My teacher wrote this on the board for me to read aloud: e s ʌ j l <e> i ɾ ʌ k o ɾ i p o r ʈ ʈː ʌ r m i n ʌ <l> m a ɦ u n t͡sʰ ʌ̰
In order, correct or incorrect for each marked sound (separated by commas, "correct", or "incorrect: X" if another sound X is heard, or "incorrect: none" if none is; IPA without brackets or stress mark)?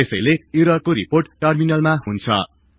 correct, correct